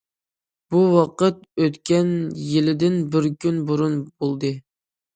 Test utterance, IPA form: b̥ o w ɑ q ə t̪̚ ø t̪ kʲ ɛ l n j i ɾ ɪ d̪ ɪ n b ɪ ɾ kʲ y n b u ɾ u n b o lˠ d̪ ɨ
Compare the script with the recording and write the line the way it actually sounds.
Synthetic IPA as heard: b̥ u w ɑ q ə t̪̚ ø t̪ kʲ ɛ n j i l ɪ d̪ ɪ n b ɪ ɾ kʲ y n b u ɾ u n b o lˠ d̪ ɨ

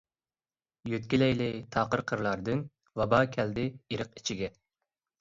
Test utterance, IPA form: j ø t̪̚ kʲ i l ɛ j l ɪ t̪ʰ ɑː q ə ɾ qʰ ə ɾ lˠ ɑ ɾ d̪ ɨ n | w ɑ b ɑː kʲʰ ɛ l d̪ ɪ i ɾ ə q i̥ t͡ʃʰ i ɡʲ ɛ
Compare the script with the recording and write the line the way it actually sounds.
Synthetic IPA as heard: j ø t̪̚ kʲ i l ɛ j l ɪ t̪ʰ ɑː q ə ɾ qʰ ə ɾ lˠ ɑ ɾ d̪ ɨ n | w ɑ b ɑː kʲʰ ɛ l d̪ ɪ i ɾ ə q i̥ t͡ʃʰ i ɡʲ ɛ

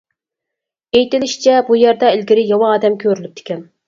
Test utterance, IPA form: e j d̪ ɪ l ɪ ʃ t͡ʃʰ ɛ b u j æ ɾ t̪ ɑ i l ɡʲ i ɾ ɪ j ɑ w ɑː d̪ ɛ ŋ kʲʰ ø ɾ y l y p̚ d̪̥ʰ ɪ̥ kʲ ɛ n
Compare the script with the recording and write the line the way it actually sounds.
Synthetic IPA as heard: e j t̪ ɪ l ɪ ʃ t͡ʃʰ ɛ b u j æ ɾ d̪ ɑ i l ɡʲ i ɾ ɪ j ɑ w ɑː d̪ ɛ m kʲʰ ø ɾ y l y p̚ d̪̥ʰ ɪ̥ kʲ ɛ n

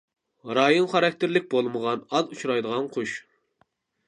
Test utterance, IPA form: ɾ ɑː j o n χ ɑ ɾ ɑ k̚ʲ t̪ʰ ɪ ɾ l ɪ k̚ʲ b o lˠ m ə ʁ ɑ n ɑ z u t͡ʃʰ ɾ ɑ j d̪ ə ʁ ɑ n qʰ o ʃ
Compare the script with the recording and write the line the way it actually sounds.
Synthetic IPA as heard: ɾ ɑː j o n χ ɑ ɾ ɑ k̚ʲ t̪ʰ ɪ ɾ l ɪ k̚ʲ b o lˠ m ə ʁ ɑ n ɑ z u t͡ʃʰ ɾ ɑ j d̪ ə ʁ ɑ n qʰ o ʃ

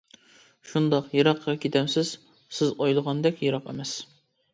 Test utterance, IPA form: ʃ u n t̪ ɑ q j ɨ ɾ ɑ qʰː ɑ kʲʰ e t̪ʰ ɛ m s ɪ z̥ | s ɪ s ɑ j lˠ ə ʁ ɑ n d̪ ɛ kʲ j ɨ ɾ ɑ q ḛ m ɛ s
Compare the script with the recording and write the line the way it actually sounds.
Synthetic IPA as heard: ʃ u n d̪ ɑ q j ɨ ɾ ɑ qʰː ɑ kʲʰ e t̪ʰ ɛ m s ɪ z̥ | s ɪ z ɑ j lˠ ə ʁ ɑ n d̪ ɛ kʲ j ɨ ɾ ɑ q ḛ m ɛ s

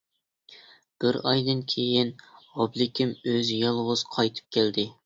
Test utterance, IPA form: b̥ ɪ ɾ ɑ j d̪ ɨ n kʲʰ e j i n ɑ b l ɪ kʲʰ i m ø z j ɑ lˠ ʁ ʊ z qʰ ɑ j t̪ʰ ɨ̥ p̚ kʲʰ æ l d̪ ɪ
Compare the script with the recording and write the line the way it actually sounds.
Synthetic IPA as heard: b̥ ɪ ɾ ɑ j d̪ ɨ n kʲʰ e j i n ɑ b l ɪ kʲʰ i m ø z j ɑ lˠ ʁ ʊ z qʰ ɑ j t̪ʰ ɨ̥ p̚ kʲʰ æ l d̪ ɪ

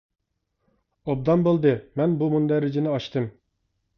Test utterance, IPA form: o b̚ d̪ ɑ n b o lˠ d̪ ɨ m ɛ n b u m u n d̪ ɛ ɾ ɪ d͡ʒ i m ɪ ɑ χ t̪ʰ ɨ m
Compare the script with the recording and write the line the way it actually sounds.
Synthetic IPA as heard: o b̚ d̪ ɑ n b o lˠ d̪ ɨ m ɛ n b u m u n d̪ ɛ ɾ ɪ d͡ʒ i n ɪ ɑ ʃ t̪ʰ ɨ m

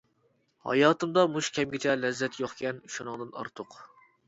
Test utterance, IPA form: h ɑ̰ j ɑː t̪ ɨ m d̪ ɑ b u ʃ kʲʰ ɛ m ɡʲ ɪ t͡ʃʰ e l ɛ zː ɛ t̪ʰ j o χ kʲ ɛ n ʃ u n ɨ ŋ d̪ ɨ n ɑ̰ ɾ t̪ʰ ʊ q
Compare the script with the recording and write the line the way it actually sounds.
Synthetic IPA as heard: h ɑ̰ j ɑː t̪ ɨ m d̪ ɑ m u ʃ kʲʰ ɛ m ɡʲ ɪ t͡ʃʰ ɛ l ɛ zː ɛ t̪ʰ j o χ kʲ ɛ n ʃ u n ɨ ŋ d̪ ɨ n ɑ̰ ɾ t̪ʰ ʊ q

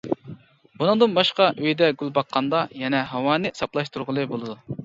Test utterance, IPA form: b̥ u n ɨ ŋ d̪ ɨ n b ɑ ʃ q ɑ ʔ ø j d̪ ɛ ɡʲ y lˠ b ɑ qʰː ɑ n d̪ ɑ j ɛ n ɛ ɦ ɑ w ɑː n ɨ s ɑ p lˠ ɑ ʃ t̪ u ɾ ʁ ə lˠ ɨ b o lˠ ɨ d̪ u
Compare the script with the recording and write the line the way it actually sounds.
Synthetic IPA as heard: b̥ u n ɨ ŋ d̪ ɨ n b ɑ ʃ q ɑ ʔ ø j d̪ ɛ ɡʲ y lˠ b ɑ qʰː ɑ n d̪ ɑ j ɛ n ɛ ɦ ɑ w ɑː n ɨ s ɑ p lˠ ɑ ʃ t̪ u ɾ ʁ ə lˠ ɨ b o lˠ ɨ d̪ u

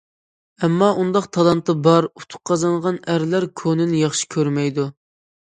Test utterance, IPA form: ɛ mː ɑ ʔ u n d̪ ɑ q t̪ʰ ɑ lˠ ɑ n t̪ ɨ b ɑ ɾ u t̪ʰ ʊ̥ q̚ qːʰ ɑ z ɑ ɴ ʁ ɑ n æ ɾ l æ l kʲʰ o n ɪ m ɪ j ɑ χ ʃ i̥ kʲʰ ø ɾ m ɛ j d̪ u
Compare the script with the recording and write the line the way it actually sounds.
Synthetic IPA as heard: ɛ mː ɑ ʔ u n d̪ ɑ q t̪ʰ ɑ lˠ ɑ n t̪ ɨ b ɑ ɾ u t̪ʰ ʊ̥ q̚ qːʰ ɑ z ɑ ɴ ʁ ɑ n æ ɾ l æ ɾ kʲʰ o n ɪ n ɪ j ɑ χ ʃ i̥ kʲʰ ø ɾ m ɛ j d̪ u

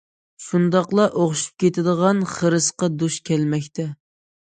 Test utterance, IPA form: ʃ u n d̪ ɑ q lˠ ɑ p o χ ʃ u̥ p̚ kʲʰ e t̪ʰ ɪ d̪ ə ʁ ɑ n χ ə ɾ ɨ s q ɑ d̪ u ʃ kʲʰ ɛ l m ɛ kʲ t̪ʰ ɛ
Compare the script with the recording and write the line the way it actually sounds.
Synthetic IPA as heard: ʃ u n d̪ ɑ q lˠ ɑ ʔ o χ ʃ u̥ p̚ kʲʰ e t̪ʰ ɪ d̪ ə ʁ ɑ n χ ə ɾ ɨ s q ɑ d̪ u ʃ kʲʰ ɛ l m ɛ kʲ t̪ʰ ɛ

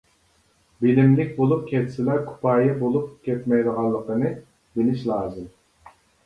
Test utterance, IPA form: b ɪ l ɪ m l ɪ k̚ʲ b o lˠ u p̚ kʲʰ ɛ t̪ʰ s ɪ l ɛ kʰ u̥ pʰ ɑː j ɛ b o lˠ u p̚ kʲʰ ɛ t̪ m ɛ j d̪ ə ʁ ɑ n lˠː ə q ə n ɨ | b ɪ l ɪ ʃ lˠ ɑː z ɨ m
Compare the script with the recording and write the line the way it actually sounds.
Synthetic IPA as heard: b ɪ l ɪ m l ɪ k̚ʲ b o lˠ u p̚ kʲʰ ɛ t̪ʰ s ɪ l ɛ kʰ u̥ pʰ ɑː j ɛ b o lˠ u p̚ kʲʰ ɛ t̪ m ɛ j d̪ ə ʁ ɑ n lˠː ə q ə n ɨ | b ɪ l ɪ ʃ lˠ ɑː z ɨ m

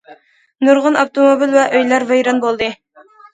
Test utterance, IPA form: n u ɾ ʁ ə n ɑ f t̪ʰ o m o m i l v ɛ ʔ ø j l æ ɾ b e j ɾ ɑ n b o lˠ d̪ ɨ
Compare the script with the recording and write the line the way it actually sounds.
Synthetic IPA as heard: n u ɾ ʁ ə n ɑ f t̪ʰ o m o b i l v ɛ ʔ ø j l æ ɾ v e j ɾ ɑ n b o lˠ d̪ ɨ

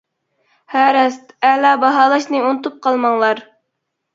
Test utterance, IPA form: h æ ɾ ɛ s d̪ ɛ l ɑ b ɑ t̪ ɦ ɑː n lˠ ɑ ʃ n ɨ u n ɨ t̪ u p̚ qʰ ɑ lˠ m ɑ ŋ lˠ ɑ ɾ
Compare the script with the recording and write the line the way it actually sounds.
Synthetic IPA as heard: h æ ɾ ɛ s t̪ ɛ l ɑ b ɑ ɦ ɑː lˠ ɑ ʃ n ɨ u n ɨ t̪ u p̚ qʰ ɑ lˠ m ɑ ŋ lˠ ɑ ɾ

